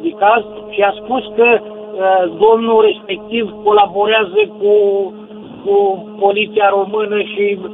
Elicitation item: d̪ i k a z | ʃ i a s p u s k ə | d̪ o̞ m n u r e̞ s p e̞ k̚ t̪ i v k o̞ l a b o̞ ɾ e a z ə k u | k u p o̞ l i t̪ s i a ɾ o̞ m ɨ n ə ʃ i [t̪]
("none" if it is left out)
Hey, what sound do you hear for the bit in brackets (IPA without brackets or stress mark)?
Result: none